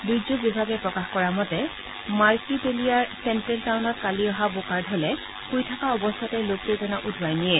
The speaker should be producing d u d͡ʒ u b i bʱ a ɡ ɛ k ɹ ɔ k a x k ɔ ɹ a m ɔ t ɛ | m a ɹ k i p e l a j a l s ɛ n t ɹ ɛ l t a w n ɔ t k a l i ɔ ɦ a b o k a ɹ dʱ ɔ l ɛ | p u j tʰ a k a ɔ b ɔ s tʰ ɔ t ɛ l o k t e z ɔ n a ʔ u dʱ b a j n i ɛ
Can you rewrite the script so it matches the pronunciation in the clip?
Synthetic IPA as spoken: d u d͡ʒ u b i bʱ a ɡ ɛ p ɹ ɔ k a x k ɔ ɹ a m ɔ t ɛ | m a ɹ k i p e l i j a ɹ s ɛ n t ɹ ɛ l t a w n ɔ t k a l i ɔ ɦ a b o k a ɹ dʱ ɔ l ɛ | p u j tʰ a k a ɔ b ɔ s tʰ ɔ t ɛ l o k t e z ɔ n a ʔ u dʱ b a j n i ɛ